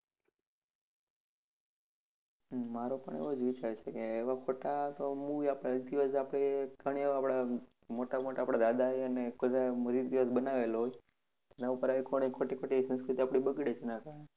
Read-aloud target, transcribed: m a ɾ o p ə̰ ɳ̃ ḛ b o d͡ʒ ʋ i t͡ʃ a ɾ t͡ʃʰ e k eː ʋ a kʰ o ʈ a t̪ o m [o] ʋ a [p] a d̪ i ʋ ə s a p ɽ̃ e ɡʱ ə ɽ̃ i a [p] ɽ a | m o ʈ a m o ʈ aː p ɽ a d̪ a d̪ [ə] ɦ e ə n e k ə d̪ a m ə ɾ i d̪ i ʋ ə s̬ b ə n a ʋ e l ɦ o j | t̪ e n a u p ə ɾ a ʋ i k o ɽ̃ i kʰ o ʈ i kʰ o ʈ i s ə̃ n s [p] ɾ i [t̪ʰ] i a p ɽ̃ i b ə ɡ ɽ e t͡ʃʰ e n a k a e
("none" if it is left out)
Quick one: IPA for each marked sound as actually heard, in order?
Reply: u, p, p, a, k, t̪

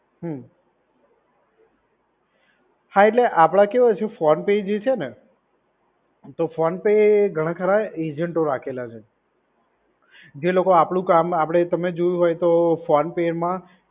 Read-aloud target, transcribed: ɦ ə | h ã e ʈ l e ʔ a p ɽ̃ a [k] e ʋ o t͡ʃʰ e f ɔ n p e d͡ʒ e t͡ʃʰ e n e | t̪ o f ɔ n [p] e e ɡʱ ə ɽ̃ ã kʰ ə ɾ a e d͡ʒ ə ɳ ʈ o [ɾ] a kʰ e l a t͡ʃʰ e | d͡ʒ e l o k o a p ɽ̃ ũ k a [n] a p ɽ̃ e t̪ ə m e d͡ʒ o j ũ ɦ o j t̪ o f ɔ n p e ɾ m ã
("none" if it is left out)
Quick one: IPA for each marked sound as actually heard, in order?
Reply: k, p, ɾ, m

